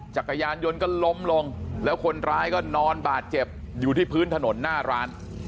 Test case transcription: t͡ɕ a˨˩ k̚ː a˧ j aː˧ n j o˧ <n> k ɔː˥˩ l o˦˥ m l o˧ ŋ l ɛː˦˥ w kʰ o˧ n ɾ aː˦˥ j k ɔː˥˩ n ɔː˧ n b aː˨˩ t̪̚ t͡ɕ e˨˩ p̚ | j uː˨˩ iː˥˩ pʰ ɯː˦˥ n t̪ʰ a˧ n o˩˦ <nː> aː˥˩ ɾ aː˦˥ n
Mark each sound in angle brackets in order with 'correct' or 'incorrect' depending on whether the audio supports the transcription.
correct, correct

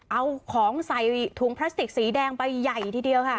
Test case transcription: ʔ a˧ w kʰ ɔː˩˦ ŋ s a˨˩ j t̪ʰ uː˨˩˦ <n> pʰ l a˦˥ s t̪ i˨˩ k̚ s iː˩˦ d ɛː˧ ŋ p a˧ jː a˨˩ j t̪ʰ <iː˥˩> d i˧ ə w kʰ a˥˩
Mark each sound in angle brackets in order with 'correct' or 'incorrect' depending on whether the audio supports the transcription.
incorrect: ŋ, incorrect: iː˧

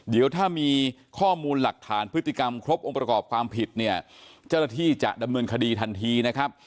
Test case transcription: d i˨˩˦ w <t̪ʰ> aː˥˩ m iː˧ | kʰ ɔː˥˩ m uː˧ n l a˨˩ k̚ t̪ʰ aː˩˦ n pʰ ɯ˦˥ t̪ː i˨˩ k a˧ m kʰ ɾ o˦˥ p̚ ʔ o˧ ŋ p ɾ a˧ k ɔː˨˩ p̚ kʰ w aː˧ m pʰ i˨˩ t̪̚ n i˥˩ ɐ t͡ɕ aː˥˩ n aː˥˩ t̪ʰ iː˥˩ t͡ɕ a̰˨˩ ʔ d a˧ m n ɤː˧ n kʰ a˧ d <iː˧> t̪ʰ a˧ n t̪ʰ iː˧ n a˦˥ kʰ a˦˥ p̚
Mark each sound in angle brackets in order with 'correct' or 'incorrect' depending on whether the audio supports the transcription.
correct, correct

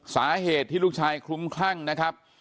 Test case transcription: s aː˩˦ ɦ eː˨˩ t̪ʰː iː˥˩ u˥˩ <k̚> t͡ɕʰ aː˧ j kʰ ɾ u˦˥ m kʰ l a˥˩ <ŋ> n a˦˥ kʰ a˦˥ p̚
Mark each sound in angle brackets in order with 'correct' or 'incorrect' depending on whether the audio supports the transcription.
correct, correct

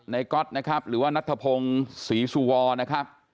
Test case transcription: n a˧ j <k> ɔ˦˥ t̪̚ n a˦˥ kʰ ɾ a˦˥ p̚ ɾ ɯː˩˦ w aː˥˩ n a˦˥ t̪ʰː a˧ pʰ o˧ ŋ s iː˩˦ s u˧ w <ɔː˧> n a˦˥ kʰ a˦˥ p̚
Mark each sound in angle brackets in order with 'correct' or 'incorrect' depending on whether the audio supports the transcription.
correct, correct

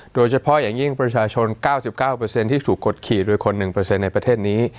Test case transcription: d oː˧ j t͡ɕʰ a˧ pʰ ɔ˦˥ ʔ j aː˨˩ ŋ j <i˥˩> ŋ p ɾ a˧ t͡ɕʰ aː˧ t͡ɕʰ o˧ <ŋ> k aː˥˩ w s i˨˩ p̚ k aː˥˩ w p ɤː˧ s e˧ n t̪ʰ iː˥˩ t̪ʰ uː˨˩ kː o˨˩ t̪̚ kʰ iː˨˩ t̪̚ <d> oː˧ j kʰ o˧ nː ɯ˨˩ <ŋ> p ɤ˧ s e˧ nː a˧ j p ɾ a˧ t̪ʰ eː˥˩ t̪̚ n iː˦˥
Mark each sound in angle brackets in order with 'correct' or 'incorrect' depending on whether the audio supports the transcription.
correct, incorrect: n, correct, correct

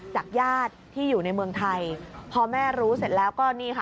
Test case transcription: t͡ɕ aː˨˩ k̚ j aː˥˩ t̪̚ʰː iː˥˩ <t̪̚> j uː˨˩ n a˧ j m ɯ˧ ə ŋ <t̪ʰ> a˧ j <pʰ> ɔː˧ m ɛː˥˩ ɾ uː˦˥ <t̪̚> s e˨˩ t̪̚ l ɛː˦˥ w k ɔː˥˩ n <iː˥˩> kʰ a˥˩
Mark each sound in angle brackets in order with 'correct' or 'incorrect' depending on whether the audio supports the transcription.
incorrect: none, correct, correct, incorrect: none, correct

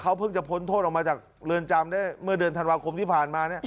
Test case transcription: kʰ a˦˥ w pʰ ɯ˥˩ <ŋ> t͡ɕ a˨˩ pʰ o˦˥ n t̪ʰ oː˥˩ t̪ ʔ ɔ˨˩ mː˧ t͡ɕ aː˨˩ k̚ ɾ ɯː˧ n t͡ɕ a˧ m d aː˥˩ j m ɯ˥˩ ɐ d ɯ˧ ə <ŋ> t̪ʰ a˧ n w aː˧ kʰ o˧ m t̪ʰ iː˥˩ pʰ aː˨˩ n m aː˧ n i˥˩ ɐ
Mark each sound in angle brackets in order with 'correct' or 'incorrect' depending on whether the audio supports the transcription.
correct, incorrect: n

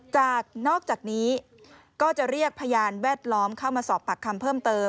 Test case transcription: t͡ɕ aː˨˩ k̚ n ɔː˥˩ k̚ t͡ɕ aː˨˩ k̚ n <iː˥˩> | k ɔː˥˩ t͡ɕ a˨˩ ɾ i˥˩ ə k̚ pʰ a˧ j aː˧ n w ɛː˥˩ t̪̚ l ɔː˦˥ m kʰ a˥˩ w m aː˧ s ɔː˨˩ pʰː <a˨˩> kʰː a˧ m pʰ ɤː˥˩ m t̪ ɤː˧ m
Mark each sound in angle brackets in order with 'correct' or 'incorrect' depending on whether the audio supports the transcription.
incorrect: iː˦˥, correct

